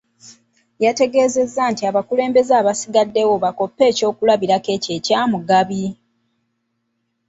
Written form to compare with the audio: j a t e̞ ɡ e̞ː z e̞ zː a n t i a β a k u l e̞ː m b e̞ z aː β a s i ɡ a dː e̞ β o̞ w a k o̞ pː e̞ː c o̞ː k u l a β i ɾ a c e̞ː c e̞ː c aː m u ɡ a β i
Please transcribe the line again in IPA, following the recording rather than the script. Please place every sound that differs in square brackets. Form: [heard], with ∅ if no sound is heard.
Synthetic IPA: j a t e̞ ɡ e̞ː z e̞ zː a n t i a β a k u l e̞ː m b e̞ z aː β a s i ɡ a dː e̞ [w] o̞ [β] a k o̞ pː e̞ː c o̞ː k u l a β i ɾ a [k] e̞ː c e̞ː c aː m u ɡ a β i